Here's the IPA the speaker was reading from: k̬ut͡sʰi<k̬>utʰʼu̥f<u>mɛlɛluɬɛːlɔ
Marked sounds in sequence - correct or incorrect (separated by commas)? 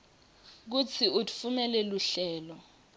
incorrect, correct